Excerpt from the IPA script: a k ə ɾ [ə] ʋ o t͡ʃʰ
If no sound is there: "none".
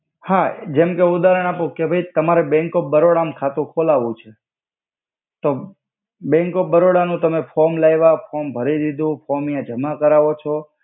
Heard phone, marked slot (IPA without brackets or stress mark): a